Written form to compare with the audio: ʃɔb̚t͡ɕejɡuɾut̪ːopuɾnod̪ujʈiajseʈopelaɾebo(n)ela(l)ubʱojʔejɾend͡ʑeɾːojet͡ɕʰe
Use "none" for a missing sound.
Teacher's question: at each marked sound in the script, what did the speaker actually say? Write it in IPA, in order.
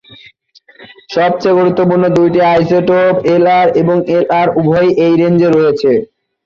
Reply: ŋ, ɾ

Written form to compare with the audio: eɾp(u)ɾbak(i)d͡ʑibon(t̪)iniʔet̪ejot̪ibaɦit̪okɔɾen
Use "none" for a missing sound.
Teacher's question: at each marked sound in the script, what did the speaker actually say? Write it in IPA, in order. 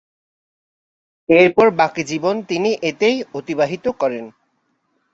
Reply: ɔ, i, t̪

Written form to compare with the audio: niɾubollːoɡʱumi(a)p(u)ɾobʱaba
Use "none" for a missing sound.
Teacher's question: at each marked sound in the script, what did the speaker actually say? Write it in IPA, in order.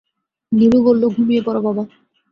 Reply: e, ɔ

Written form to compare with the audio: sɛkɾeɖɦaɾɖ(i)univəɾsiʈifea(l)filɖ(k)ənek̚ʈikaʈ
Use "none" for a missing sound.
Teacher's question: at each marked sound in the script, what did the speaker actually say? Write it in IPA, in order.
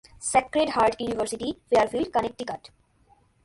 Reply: j, ɾ, k

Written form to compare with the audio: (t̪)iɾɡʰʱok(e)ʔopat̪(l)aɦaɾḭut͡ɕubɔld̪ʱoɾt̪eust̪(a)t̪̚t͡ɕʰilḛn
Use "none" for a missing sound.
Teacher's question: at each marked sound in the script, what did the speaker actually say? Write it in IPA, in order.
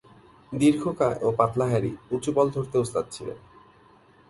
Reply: d̪, a, l, a

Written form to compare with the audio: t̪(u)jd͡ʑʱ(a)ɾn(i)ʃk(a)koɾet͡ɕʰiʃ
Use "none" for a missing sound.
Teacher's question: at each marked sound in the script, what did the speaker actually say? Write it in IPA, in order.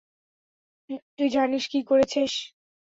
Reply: u, a, i, i

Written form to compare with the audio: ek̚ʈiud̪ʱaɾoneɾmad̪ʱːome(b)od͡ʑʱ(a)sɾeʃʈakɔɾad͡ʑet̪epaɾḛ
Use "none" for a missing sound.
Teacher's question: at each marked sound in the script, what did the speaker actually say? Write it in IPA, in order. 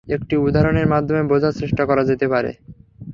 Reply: b, a

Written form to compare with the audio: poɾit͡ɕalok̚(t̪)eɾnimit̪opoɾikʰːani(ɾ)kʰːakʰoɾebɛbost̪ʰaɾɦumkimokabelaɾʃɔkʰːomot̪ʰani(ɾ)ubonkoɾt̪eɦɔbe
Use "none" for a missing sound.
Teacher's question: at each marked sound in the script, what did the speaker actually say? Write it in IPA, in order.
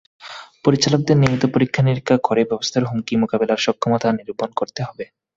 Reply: d̪, ɾ, ɾ

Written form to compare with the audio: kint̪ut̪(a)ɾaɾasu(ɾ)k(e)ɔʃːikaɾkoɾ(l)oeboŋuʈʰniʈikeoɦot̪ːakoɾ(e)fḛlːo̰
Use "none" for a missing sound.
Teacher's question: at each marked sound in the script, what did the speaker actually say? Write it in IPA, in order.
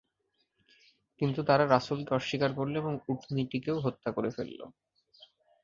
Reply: a, l, e, l, e

